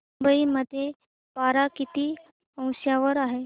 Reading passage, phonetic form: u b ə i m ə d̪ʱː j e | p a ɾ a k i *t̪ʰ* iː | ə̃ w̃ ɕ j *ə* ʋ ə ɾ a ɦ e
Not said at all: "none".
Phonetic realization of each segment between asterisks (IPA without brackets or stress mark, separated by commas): t̪, a